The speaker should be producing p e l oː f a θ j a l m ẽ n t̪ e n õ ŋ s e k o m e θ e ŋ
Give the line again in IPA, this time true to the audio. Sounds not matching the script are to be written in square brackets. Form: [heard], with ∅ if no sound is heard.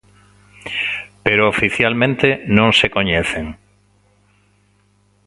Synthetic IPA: p e [ɾ] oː f [i] θ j a l m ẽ n t̪ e n õ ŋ s e k o [ɲ] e θ e ŋ